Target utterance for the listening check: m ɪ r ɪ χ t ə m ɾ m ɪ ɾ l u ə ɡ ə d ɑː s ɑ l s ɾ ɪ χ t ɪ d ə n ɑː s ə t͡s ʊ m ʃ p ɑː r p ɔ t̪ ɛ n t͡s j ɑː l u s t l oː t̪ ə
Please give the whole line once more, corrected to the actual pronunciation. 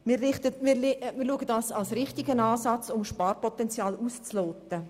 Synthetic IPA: m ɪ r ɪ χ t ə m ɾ m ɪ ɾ l u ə ɡ ə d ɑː s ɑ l s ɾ ɪ χ t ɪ ɡ ə n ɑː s ɑ t͡s ʊ m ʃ p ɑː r p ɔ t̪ ɛ n t͡s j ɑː l u s t͡s l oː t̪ ə